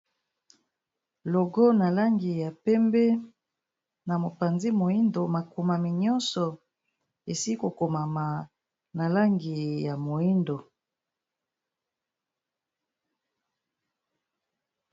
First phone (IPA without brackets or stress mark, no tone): l